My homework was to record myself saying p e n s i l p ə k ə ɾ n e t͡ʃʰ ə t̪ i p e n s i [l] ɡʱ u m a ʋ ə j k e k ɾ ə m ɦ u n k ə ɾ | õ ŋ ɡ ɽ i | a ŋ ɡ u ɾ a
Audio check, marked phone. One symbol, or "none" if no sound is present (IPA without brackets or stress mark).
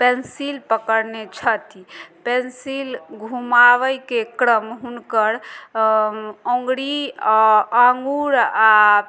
l